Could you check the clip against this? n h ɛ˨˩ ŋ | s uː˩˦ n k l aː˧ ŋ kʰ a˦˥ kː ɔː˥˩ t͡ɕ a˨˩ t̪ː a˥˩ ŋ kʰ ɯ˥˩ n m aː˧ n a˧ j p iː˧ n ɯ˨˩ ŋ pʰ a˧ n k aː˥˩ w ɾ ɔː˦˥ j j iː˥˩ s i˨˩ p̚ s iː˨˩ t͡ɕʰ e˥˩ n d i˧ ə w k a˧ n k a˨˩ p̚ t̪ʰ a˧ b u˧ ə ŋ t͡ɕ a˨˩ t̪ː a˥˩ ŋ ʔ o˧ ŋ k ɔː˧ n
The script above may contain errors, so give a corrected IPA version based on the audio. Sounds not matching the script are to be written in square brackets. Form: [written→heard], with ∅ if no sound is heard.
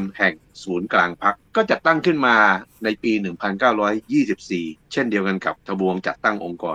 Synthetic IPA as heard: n h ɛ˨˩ ŋ | s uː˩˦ n k l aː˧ ŋ [kʰ→pʰ] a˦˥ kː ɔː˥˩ t͡ɕ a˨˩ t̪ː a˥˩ ŋ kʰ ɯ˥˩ n m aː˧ n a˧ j p iː˧ n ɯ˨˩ ŋ pʰ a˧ n k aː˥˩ w ɾ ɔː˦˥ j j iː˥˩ s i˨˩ p̚ s iː˨˩ t͡ɕʰ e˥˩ n d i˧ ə w k a˧ n k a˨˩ p̚ t̪ʰ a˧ b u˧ ə ŋ t͡ɕ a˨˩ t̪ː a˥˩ ŋ ʔ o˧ ŋ k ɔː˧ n